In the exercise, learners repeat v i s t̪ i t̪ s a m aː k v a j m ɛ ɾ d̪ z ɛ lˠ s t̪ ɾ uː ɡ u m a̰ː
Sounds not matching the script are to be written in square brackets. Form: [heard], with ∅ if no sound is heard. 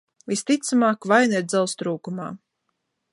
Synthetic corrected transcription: v i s t̪ i t̪ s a m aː k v a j [n] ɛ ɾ d̪ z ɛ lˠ s t̪ ɾ uː [k] u m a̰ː